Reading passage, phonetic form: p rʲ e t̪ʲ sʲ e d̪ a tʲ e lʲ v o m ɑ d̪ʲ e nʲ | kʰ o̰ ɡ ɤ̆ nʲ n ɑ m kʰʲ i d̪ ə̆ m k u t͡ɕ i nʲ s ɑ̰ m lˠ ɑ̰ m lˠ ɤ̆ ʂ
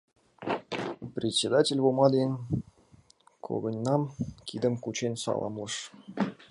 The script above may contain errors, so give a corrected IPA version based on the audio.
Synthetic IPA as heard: p rʲ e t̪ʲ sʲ e d̪ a tʲ e lʲ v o m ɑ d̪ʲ e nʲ | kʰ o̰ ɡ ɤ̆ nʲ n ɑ m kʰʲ i d̪ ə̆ m k u t͡ɕ e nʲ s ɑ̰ lˠ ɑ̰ m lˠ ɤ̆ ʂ